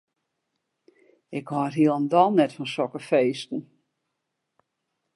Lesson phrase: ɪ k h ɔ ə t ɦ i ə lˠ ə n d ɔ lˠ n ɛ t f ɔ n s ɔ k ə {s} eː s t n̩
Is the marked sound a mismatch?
yes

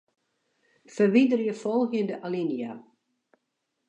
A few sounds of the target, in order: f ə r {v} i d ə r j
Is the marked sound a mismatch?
yes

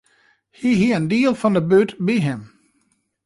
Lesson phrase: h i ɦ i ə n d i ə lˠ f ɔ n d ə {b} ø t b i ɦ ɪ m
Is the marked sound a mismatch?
no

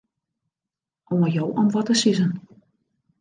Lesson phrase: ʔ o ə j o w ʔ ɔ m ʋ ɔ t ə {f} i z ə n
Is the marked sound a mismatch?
yes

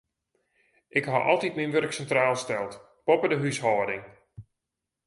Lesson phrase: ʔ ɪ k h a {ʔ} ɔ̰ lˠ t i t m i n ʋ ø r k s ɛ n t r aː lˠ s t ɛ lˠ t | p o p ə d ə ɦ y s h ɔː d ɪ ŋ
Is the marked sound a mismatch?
no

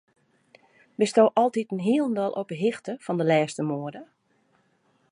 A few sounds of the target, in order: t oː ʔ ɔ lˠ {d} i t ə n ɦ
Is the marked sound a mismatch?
yes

